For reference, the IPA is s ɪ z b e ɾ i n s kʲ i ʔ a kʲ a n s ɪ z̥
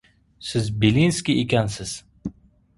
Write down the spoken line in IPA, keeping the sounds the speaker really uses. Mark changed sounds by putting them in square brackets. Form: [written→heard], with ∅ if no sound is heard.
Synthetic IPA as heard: s ɪ z b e [ɾ→l] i n s kʲ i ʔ [a→e] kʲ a n s ɪ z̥